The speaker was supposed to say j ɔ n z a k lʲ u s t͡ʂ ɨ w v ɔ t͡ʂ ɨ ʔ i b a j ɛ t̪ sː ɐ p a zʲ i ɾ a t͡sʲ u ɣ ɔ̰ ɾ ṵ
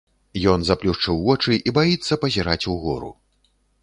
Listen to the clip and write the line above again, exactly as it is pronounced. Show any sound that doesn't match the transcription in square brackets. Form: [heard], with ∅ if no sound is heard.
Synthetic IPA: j ɔ n z a [p] lʲ u [ʂ] t͡ʂ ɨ w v ɔ t͡ʂ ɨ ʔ i b a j [i] t̪ sː ɐ p [ɐ] zʲ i ɾ a t͡sʲ u ɣ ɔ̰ ɾ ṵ